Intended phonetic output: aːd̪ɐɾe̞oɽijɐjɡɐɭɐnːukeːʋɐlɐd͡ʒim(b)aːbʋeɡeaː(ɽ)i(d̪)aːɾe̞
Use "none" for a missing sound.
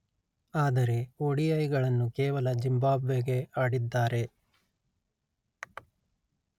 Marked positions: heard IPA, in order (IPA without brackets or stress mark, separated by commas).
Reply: b, ɽ, d̪ː